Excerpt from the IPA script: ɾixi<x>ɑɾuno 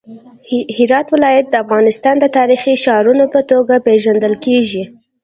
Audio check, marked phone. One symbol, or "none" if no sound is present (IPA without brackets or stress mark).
ʃ